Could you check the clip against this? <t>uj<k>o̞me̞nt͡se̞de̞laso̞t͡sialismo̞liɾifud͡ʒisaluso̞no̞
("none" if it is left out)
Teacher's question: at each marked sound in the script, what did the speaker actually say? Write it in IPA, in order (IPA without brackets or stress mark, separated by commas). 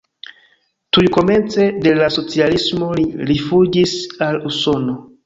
t, k